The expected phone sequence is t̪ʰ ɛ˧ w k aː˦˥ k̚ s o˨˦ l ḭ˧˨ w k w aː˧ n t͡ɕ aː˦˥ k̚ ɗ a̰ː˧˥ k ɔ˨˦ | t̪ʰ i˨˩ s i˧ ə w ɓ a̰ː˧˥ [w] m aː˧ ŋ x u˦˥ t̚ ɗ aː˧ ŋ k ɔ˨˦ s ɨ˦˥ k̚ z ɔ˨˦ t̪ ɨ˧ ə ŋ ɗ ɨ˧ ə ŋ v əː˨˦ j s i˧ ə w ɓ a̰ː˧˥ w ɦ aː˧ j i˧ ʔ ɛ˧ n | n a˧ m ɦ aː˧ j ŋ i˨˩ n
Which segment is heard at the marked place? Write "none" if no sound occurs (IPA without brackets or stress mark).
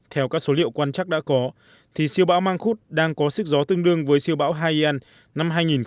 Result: w